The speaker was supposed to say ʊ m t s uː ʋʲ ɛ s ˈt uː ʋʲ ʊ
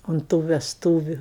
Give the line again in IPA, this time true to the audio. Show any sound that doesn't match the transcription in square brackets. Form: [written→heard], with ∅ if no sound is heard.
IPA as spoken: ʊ [m→n] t [s→t] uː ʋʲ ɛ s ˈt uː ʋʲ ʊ